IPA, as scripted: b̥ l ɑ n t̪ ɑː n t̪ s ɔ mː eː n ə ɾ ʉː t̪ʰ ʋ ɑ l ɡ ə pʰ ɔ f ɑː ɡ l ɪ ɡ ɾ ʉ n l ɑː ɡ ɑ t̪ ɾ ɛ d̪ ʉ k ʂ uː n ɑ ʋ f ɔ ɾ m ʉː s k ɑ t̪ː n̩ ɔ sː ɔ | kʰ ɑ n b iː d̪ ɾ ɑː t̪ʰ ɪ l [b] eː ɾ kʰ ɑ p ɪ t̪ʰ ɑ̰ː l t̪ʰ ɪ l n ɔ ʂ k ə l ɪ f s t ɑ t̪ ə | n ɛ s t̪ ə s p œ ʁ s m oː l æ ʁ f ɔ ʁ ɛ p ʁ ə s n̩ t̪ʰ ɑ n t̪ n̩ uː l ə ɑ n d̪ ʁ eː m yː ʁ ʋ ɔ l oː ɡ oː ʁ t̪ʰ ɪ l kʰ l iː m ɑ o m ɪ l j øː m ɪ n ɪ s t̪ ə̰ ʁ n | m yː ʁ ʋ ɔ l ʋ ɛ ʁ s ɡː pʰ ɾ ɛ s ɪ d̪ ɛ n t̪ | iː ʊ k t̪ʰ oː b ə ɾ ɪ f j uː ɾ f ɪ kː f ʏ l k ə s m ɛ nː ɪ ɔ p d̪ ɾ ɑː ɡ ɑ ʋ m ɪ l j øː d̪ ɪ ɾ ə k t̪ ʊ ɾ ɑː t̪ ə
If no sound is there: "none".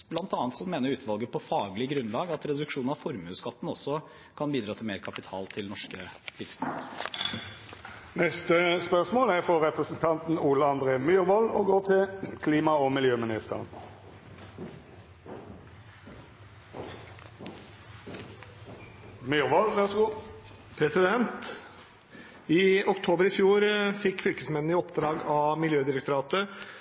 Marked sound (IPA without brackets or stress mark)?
m